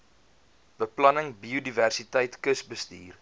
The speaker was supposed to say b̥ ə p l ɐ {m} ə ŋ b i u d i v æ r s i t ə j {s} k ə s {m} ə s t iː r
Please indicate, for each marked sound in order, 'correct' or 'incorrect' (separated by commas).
incorrect, incorrect, incorrect